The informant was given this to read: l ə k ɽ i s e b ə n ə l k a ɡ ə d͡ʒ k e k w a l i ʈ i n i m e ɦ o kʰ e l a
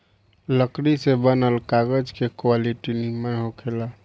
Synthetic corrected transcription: l ə k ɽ i s e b ə n ə l k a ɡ ə d͡ʒ k e k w a l i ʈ i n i m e ɦ o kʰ e l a